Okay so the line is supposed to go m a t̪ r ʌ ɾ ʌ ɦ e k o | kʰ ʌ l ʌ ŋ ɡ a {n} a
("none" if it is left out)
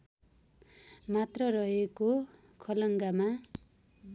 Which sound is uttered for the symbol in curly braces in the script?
m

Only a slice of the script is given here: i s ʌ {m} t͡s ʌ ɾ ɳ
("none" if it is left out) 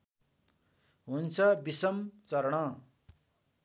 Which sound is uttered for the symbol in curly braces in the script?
m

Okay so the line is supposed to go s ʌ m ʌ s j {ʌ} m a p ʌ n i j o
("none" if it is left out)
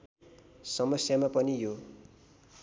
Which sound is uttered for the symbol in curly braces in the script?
a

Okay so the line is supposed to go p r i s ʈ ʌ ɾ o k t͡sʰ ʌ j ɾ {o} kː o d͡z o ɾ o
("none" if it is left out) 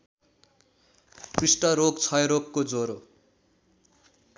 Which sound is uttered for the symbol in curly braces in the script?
o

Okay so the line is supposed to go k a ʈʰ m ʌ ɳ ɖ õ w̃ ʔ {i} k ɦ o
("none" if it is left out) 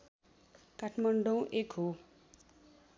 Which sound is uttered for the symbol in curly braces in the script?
e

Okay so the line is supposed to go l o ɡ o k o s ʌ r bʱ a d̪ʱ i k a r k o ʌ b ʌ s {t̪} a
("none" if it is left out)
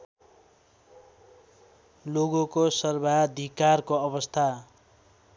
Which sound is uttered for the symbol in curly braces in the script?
t̪ʰ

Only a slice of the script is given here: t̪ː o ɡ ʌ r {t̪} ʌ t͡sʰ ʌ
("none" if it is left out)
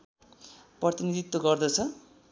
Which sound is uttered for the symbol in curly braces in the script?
d̪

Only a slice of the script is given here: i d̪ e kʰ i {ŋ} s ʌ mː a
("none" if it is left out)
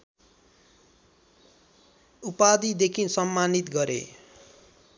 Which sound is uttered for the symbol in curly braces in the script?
n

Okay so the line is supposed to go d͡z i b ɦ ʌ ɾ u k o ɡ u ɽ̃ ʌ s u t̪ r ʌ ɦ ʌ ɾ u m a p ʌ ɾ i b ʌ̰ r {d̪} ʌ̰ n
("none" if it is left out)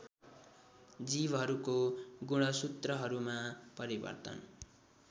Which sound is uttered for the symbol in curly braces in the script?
t̪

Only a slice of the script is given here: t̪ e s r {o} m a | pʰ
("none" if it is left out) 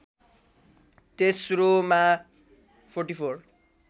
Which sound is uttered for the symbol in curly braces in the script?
o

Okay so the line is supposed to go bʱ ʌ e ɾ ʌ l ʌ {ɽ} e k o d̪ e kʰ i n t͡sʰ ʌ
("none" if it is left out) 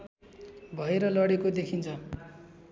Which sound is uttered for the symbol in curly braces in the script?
ɽ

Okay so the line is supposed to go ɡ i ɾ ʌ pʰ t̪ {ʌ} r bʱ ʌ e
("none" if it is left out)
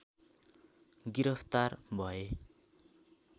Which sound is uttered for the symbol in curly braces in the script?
a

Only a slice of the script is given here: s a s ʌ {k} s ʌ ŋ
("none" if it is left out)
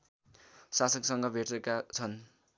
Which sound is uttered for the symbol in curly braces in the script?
k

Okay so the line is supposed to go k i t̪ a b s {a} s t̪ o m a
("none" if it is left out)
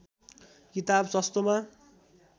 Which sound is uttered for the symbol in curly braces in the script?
ʌ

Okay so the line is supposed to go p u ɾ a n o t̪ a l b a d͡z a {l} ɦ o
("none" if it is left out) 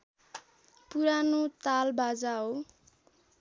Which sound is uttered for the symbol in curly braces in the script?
none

